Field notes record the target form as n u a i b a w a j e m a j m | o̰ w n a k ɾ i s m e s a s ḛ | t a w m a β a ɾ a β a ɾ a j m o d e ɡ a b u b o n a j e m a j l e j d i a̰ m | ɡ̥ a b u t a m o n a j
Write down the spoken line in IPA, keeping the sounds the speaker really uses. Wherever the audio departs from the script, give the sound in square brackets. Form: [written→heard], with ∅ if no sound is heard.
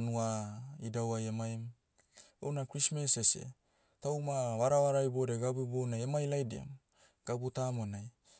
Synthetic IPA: n u a i [b→d] a w a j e m a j m | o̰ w n a k ɾ i s m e s [a→e] s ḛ | t a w m a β a ɾ a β a ɾ a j [m→b] o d e ɡ a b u b o n a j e m a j l [e→a] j d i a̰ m | ɡ̥ a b u t a m o n a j